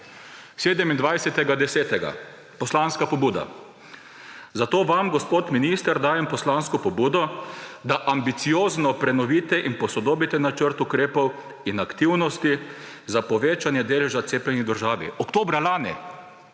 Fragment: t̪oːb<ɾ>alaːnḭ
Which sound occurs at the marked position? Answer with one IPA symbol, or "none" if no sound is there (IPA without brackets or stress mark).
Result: ɾ